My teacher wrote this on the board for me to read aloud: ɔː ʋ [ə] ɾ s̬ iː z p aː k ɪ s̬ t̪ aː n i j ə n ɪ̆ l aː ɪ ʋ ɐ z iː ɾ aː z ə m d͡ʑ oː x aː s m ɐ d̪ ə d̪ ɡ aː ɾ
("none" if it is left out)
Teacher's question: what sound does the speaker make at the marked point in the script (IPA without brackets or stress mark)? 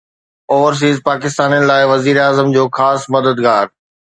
ə